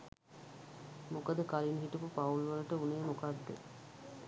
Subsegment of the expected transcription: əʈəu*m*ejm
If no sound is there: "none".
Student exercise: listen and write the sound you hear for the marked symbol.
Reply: n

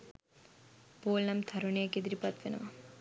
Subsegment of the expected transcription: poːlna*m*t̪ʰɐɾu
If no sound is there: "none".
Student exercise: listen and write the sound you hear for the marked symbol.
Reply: m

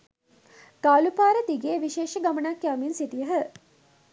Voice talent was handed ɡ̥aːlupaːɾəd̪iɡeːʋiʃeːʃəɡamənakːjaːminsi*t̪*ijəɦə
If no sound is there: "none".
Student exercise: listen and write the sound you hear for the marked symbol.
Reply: t̪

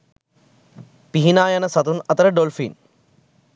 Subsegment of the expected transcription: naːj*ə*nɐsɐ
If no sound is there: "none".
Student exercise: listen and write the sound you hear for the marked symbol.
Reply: ɐ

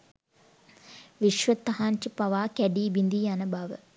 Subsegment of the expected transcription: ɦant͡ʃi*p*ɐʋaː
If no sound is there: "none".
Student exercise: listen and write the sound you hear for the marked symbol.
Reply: p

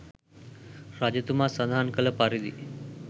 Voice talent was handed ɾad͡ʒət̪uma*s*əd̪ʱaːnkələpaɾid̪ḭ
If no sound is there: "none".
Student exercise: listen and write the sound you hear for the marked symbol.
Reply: s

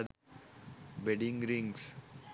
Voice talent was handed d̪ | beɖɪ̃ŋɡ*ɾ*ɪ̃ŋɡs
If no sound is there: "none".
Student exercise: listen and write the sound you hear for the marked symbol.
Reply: ɾ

